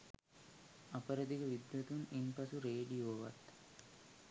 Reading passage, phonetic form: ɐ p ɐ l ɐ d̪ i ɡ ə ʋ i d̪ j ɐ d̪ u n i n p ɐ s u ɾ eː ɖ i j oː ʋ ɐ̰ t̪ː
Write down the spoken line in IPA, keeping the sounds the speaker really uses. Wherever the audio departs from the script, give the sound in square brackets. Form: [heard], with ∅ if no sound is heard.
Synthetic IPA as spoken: ɐ p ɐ [ɾ] ɐ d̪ i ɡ [ɐ] ʋ i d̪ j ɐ [t̪] u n i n p ɐ s u ɾ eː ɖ i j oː ʋ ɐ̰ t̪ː